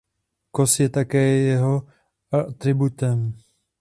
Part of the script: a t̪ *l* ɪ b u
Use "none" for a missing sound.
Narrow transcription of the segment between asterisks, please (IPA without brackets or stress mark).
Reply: ɾ